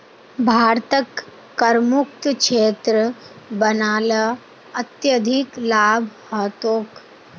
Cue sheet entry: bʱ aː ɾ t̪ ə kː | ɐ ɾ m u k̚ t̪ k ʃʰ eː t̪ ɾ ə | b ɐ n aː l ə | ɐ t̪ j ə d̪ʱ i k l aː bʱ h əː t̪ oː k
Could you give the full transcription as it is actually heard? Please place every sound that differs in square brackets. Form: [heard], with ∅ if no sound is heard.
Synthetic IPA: bʱ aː ɾ t̪ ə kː | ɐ ɾ m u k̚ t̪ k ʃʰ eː t̪ ɾ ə | b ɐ n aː l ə | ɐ t̪ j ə d̪ʱ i k l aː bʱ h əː t̪ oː k